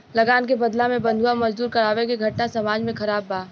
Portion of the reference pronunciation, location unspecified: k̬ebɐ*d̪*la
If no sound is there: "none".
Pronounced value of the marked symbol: d̪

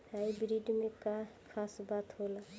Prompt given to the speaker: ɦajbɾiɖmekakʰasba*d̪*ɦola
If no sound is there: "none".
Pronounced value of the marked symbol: t̪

